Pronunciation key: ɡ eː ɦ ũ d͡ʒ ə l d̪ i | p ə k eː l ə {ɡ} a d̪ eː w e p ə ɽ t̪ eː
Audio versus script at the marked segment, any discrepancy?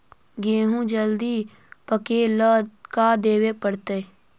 yes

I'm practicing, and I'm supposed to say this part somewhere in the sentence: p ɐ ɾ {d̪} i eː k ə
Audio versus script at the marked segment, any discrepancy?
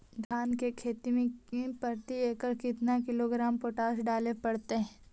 yes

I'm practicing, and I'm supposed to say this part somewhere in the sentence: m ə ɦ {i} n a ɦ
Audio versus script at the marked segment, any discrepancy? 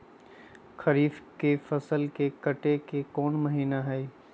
yes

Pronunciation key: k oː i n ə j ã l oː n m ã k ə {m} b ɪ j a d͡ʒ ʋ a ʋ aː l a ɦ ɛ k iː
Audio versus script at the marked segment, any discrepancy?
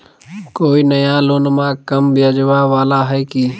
no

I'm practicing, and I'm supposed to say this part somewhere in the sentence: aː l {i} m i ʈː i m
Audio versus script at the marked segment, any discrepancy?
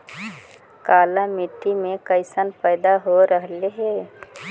yes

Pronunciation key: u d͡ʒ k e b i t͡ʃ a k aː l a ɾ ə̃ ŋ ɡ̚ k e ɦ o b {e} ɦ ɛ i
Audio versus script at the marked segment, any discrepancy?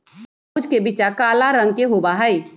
yes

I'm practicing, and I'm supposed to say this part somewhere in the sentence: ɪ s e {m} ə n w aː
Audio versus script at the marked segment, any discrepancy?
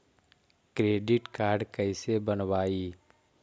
yes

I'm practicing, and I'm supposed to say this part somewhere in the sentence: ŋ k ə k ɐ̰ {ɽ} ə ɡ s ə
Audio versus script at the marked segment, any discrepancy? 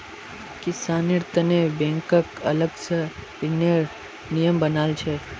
yes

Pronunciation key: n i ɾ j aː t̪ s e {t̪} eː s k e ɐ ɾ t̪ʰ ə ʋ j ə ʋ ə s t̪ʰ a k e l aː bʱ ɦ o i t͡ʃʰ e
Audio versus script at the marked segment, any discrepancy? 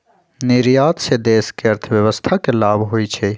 yes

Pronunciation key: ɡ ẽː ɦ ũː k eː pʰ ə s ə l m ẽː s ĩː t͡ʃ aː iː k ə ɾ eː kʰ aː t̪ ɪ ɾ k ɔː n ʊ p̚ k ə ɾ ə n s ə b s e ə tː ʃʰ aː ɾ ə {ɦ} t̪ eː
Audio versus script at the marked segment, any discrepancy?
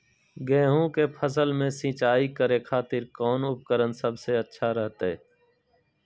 no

